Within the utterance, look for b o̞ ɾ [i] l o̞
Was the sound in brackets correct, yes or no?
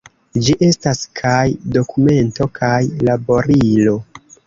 yes